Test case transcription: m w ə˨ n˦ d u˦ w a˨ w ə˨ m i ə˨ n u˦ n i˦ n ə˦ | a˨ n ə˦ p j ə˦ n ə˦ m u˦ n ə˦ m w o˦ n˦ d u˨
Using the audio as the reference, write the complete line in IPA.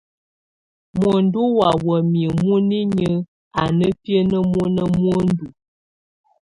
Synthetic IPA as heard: m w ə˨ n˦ d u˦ w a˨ w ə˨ m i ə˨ m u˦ n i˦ ɲ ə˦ | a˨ n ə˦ p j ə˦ n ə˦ m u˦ n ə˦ m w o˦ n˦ d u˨